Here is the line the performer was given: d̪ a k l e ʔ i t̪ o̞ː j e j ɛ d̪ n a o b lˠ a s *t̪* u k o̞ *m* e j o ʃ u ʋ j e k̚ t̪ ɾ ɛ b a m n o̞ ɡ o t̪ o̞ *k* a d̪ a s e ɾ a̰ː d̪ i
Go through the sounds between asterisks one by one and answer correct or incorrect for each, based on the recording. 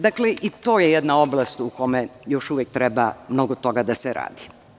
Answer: correct, correct, incorrect: ɡ

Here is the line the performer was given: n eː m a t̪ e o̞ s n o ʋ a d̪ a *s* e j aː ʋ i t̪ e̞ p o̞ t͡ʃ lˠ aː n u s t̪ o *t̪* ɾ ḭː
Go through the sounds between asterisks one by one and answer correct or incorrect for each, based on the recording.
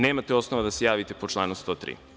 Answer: correct, correct

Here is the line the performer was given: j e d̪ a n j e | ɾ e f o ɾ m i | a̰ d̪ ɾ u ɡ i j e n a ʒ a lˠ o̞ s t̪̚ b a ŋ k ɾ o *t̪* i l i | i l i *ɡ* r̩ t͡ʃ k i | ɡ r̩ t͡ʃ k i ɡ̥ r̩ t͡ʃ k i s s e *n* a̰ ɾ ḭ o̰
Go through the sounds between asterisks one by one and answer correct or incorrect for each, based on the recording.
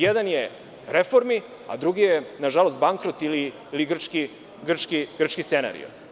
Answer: correct, correct, correct

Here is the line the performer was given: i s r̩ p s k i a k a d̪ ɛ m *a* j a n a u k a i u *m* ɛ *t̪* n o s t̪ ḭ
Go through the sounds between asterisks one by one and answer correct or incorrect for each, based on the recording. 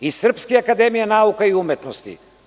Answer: incorrect: i, correct, correct

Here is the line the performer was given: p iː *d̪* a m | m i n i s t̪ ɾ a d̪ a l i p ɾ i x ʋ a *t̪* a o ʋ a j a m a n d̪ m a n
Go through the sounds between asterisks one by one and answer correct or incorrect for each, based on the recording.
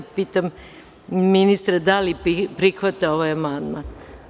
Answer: incorrect: t̪, correct

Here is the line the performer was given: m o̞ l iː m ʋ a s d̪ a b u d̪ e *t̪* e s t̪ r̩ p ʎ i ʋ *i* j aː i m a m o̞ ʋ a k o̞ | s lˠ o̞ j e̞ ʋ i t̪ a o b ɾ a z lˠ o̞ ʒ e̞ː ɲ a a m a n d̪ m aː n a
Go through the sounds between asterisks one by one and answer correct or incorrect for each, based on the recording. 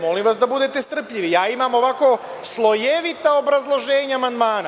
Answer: correct, correct

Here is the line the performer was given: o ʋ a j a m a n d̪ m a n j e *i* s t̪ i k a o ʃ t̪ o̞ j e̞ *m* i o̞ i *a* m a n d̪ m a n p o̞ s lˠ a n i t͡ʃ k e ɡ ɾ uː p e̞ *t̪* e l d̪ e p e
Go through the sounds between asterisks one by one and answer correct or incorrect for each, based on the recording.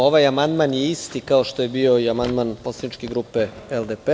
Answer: correct, incorrect: b, correct, incorrect: none

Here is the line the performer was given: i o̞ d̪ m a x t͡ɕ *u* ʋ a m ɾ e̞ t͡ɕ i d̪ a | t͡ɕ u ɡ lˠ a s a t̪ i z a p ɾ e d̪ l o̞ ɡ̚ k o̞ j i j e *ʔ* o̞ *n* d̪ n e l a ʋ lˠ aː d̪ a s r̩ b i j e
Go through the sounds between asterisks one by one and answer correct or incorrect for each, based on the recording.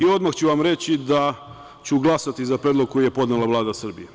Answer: correct, incorrect: p, incorrect: none

